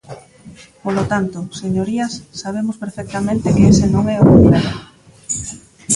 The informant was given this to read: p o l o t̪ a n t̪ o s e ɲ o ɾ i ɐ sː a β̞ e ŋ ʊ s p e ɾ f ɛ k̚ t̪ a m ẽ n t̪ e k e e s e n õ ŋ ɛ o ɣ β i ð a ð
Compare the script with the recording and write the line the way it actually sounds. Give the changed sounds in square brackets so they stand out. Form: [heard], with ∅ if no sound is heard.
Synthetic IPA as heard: p o l o t̪ a n t̪ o s e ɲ o ɾ i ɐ sː a β̞ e [m] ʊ s p e ɾ f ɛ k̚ t̪ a m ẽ n t̪ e k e e s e n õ ŋ ɛ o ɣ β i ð a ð

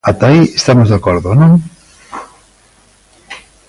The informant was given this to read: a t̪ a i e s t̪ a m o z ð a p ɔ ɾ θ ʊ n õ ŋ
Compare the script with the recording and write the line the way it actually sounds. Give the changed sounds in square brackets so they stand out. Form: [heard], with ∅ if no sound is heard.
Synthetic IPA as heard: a t̪ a i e s t̪ a m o z ð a [k] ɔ ɾ [ð] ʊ n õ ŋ

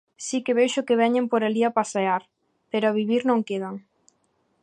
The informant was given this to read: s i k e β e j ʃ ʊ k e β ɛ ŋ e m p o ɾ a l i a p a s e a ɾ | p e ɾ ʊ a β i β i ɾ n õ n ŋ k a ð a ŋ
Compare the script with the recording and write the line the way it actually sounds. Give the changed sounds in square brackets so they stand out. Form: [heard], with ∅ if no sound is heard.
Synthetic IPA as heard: s i k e β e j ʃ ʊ k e β ɛ [ɲ] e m p o ɾ a l i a p a s e a ɾ | p e ɾ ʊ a β i β i ɾ n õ [∅] ŋ k [e] ð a ŋ

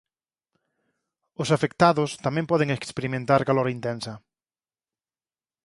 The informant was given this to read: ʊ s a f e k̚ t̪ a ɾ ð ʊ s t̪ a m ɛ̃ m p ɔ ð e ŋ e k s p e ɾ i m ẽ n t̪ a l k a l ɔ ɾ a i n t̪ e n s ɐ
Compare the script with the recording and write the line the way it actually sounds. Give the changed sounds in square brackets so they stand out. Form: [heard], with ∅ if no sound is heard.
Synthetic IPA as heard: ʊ s a f e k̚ t̪ a [∅] ð ʊ s t̪ a m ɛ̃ m p ɔ ð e ŋ e k s p e ɾ i m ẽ n t̪ a [ɾ] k a l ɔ ɾ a i n t̪ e n s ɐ

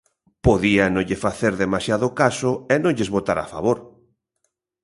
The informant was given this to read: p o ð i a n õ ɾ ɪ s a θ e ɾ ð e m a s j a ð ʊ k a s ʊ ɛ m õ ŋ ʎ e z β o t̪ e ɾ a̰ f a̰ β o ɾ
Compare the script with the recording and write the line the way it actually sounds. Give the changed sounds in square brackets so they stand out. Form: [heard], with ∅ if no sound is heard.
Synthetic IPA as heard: p o ð i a n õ [ʎ] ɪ [f] a θ e ɾ ð e m a s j a ð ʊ k a s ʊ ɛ [n] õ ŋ ʎ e z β o t̪ [a] ɾ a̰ f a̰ β o ɾ

